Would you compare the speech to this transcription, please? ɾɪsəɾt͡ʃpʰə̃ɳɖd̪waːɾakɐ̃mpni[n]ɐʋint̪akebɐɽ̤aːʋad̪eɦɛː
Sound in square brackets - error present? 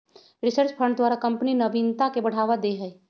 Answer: no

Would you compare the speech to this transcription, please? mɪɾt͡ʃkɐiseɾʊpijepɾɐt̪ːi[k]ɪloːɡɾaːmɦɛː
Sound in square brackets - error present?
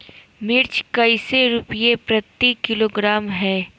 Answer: no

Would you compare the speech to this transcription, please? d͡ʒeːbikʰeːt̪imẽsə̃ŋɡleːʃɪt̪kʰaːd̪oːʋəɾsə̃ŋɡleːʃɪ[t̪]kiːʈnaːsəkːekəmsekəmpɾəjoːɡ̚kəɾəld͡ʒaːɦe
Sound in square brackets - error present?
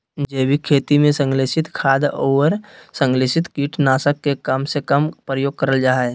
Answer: no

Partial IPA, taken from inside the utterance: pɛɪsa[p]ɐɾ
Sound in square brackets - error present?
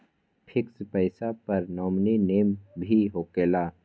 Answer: no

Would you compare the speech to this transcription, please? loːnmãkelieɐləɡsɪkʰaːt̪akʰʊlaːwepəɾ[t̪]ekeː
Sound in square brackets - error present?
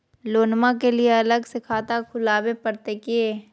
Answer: no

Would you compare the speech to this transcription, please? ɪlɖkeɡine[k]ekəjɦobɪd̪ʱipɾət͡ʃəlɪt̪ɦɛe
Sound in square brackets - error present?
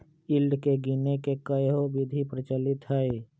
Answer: no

